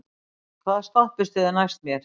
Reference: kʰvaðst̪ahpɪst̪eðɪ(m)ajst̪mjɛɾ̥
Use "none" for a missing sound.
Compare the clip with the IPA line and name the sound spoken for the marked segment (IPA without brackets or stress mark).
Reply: n